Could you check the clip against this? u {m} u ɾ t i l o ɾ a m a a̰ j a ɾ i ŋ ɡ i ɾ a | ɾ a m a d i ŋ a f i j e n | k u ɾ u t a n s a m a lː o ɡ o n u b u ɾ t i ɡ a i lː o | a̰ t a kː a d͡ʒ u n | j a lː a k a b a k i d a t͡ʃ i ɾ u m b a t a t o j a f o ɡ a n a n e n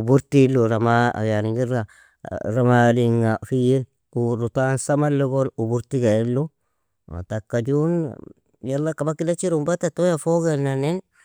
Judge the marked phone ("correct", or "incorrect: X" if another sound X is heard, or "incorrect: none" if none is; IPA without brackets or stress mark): incorrect: b